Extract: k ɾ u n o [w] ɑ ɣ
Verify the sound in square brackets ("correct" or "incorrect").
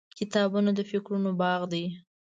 incorrect